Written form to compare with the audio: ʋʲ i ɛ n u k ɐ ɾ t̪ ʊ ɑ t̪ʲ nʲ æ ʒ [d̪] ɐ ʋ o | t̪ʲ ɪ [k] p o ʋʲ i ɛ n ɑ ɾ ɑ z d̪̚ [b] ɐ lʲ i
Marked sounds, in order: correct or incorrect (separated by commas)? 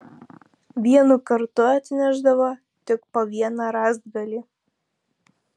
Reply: correct, correct, incorrect